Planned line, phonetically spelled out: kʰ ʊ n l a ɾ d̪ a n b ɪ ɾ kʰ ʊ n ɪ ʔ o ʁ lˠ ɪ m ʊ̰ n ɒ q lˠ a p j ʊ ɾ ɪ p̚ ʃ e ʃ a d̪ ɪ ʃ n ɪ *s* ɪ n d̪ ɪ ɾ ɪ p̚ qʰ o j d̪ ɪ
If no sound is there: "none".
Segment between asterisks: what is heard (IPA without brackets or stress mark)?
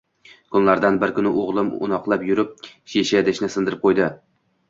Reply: s